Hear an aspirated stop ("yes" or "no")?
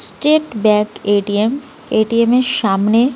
no